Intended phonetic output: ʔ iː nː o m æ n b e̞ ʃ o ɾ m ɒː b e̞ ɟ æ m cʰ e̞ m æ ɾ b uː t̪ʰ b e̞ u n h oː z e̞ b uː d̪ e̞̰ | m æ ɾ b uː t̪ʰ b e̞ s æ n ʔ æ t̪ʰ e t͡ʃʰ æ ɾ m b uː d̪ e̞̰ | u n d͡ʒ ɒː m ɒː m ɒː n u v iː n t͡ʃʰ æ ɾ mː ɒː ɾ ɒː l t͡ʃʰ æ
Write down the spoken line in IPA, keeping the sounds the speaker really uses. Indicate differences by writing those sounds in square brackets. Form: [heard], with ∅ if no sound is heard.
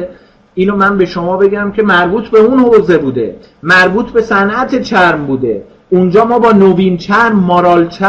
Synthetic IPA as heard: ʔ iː [n] o m æ n b e̞ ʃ o [∅] m ɒː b e̞ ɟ æ m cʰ e̞ m æ ɾ b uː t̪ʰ b e̞ u n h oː z e̞ b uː d̪ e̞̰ | m æ ɾ b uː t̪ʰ b e̞ s æ n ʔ æ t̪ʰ e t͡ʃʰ æ ɾ m b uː d̪ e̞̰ | u n d͡ʒ ɒː m ɒː [b] ɒː n [o] v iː n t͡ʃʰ æ ɾ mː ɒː ɾ ɒː l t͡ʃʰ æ